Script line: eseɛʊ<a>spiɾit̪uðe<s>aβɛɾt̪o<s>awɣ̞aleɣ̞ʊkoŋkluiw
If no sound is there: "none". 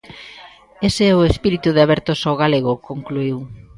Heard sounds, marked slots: e, none, s

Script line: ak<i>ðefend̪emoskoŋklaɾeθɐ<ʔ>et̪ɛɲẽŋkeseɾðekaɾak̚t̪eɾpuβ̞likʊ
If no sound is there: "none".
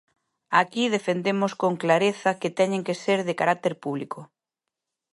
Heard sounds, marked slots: i, k

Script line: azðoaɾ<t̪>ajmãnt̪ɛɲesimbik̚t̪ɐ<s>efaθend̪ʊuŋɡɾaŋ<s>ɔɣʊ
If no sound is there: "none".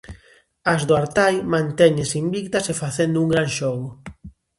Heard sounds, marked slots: t̪, s, ʃ

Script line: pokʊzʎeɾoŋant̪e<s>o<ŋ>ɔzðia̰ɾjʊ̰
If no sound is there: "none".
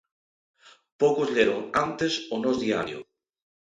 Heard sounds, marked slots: s, n

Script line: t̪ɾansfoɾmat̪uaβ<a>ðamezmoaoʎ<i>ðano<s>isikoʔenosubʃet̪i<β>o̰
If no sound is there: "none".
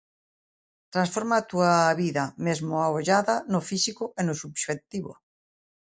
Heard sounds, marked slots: i, a, f, β

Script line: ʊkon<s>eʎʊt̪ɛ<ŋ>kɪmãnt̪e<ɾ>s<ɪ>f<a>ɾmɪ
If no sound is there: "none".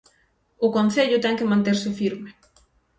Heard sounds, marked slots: θ, ŋ, ɾ, ɪ, i

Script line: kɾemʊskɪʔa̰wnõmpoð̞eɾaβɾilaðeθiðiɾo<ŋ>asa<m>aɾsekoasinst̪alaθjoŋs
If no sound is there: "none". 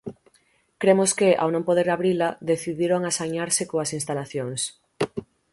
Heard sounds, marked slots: ŋ, ɲ

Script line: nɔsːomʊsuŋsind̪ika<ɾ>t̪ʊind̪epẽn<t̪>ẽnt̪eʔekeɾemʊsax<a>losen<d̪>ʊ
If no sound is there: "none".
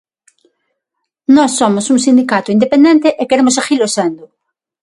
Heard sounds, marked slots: none, d̪, i, d̪

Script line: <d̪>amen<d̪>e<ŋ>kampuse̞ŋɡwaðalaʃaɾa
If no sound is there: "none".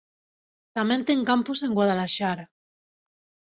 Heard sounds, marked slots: t̪, t̪, ŋ

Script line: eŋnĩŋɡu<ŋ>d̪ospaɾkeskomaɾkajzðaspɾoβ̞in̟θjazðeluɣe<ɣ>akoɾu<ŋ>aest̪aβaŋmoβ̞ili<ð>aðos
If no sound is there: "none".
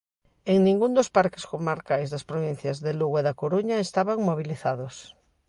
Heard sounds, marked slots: n, ð, ɲ, θ

